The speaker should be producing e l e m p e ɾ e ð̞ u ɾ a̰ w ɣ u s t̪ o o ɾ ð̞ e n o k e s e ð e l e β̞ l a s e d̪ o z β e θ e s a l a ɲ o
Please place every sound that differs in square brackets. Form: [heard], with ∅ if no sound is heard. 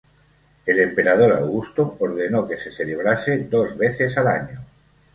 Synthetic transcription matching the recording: e l e m p e ɾ [a] ð̞ [o] ɾ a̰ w ɣ u s t̪ o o ɾ ð̞ e n o k e s e [θ] e l e β̞ [ɾ] a s e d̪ o z β e θ e s a l a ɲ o